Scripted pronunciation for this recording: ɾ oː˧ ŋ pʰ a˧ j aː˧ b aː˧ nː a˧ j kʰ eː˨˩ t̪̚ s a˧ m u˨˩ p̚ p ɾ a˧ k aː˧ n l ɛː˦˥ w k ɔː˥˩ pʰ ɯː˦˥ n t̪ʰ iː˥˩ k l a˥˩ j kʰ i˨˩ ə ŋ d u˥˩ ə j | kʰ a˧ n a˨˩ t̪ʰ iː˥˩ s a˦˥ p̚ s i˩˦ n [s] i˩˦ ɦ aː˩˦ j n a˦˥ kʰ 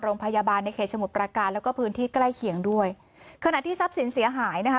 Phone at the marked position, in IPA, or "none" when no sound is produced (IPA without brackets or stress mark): s